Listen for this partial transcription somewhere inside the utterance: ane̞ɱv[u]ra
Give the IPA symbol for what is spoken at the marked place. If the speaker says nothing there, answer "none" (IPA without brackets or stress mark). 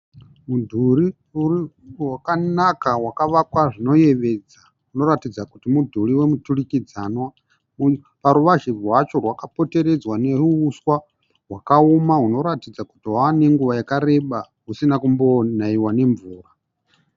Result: uː